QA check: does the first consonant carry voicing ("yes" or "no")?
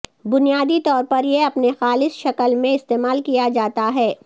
yes